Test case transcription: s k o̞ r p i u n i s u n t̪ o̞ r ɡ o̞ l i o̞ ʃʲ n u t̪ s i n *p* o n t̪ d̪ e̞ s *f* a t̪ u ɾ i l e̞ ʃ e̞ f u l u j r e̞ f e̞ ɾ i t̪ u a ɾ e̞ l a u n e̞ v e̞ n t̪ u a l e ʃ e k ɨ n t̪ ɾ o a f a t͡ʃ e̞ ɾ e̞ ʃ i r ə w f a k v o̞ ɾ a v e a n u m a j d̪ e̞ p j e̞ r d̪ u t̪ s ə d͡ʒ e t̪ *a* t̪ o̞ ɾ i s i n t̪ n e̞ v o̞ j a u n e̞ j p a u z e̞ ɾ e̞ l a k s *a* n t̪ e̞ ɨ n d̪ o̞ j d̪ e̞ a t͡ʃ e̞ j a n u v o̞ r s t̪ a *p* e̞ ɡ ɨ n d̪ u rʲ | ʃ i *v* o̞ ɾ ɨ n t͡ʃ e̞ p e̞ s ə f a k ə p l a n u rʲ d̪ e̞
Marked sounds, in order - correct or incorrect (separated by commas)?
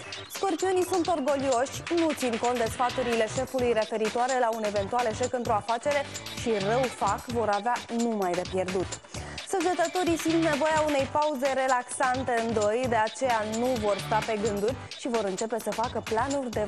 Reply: incorrect, correct, incorrect, correct, correct, correct